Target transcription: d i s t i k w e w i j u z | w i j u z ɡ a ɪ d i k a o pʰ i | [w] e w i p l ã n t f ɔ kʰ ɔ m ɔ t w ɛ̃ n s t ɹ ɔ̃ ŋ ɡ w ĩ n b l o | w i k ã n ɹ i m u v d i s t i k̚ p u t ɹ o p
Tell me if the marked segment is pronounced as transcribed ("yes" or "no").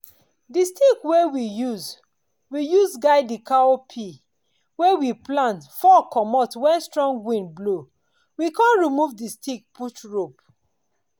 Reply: yes